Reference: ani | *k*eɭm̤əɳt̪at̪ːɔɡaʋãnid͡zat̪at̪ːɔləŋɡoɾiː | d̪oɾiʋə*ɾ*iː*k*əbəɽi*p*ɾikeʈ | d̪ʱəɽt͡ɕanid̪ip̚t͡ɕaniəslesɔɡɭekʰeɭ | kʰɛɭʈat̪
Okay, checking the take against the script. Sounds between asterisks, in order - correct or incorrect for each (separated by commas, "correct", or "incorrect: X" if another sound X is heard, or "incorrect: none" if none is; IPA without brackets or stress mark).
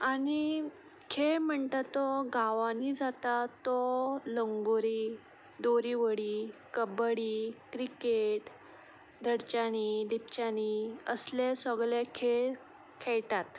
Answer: incorrect: kʰ, incorrect: ɽ, correct, incorrect: k